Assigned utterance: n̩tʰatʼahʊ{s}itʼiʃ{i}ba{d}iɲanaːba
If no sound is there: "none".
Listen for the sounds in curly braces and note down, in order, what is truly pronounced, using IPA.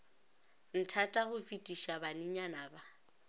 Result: f, a, n

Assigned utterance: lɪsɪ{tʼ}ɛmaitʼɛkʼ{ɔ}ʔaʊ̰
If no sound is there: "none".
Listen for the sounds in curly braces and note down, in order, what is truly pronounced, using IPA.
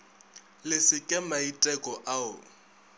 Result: kʼ, ɔ

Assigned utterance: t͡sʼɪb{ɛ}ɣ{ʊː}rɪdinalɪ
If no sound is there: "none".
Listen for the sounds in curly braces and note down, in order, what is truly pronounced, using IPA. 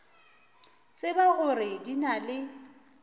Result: a, ʊ

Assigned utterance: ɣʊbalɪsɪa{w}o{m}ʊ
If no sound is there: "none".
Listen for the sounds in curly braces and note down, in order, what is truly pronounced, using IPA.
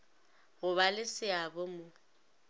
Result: b, m

